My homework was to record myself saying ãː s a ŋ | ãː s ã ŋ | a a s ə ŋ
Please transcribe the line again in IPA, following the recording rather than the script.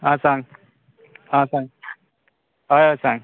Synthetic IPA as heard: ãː s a ŋ | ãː s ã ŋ | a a s a ŋ